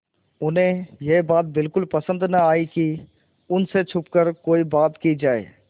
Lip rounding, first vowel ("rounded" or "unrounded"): rounded